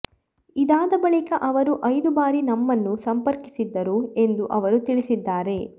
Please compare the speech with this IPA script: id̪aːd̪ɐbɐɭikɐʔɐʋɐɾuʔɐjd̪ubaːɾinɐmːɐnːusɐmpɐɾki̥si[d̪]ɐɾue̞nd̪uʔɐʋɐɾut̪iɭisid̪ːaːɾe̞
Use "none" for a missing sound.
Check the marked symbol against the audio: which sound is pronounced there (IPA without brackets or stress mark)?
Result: d̪ː